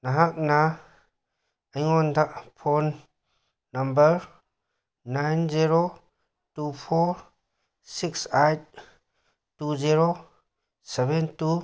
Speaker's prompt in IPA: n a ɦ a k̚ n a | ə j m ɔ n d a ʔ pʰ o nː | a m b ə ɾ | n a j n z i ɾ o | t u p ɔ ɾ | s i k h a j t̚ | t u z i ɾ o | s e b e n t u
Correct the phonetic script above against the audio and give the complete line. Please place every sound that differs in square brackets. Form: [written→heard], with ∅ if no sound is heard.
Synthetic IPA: n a ɦ a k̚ n a | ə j [m→ŋ] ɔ n d a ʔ pʰ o nː | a m b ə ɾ | n a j n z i ɾ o | t u [p→pʰ] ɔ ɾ | s i k [h→s] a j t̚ | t u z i ɾ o | s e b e n t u